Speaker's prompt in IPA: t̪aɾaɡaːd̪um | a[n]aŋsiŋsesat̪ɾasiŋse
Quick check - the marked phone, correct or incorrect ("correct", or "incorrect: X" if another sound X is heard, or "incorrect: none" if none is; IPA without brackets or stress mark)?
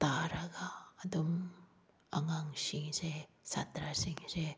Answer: incorrect: ŋ